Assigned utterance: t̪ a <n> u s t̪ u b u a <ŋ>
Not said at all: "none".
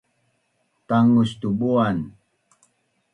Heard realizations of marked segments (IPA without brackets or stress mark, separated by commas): ŋ, n